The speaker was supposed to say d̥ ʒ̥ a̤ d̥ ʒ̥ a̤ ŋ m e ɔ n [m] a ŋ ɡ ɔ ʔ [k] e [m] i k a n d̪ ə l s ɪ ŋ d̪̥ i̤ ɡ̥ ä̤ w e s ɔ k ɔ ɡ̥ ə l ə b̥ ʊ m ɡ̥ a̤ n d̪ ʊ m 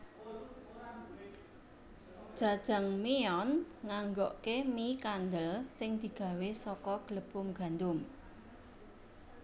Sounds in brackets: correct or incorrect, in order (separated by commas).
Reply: incorrect, correct, correct